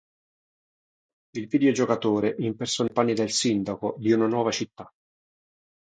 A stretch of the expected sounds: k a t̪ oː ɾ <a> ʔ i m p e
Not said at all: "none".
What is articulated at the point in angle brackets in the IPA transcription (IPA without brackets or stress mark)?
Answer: e